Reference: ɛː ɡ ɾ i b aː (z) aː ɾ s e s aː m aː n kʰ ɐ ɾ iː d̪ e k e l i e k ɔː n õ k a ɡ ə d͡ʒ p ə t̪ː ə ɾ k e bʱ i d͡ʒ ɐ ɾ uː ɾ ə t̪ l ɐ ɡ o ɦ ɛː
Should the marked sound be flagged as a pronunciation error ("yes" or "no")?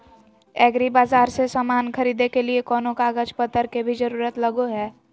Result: no